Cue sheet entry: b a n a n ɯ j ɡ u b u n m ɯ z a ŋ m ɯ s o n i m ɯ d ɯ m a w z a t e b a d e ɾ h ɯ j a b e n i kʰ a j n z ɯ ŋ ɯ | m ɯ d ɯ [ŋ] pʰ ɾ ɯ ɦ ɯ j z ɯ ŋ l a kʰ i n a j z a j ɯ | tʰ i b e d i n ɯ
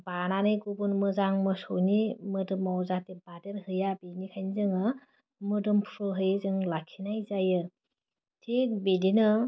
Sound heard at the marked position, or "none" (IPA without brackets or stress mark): m